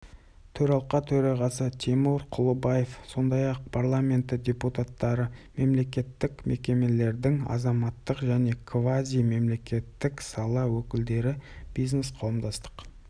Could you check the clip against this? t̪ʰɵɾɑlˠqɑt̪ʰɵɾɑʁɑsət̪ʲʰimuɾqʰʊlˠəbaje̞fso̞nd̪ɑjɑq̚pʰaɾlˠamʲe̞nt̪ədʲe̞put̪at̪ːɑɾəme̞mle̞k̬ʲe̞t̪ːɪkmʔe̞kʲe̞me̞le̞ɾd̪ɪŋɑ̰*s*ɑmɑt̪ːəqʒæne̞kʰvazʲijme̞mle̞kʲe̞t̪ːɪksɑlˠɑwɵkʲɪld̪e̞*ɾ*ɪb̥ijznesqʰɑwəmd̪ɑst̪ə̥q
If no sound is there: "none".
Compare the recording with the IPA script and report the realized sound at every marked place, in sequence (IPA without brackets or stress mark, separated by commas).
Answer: z, ɾ